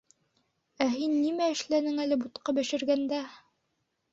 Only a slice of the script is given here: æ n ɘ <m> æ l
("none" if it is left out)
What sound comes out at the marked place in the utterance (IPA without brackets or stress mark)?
ŋ